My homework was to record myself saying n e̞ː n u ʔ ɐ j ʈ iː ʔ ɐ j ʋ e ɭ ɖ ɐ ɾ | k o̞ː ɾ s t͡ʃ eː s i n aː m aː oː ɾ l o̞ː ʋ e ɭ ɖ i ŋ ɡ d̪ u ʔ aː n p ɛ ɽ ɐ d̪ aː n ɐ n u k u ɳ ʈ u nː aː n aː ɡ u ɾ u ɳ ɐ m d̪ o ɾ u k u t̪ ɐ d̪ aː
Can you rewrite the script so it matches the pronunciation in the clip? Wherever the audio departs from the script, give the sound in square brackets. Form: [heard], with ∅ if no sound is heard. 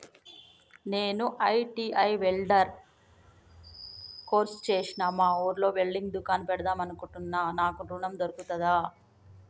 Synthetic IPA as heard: n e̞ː n u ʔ ɐ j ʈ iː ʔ ɐ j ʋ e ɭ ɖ ɐ ɾ | k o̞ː ɾ s t͡ʃ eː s i n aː m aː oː ɾ l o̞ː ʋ e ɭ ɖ i ŋ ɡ d̪ u [k] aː n p ɛ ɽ ɐ d̪ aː [m] ɐ n u k u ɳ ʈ u nː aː n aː [k] u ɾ u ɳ ɐ m d̪ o ɾ u k u t̪ ɐ d̪ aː